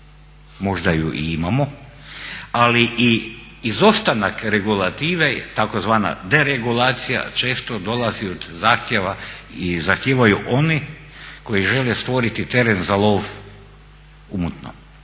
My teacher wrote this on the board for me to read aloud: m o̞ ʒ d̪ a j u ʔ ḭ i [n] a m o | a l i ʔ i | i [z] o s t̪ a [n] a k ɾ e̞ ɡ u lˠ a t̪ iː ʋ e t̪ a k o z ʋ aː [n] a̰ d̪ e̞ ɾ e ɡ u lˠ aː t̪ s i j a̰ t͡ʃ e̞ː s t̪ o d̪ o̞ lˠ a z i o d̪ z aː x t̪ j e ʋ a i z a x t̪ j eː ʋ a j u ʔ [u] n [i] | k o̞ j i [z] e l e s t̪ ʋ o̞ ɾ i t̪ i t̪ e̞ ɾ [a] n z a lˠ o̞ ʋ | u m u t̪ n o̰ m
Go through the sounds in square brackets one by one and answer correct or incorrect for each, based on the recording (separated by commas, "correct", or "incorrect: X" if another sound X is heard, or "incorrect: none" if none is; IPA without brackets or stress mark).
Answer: incorrect: m, correct, correct, correct, incorrect: o, correct, incorrect: ʒ, incorrect: e